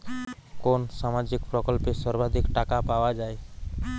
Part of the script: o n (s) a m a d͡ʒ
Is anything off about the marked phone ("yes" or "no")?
no